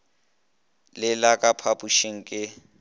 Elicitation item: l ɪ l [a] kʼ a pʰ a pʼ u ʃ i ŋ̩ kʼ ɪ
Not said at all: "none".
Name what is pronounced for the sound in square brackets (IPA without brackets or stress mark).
a